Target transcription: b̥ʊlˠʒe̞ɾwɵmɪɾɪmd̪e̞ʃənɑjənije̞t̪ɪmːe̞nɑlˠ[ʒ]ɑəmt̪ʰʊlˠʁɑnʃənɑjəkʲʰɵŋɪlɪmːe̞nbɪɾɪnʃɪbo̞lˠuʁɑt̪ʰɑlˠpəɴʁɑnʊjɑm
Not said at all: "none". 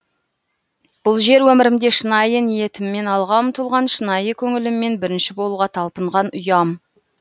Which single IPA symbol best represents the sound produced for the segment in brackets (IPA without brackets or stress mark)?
ʁ